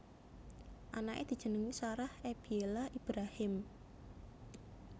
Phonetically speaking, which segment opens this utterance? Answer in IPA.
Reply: ʔ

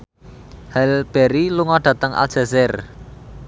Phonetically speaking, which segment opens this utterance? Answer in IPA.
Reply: h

